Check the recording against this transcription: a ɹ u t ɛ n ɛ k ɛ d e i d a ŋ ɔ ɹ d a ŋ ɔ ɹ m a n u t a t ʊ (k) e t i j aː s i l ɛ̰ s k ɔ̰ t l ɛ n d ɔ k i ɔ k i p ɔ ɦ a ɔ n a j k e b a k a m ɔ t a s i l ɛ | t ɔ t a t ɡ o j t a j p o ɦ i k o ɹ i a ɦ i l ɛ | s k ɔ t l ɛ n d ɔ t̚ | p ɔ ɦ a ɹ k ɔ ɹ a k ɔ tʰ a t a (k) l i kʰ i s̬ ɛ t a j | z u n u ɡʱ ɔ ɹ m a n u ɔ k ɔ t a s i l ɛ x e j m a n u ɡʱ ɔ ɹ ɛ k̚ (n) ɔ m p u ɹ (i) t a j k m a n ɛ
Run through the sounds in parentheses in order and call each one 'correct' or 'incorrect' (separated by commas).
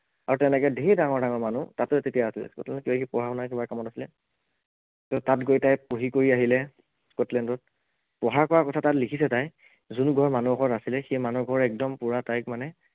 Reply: incorrect, incorrect, incorrect, incorrect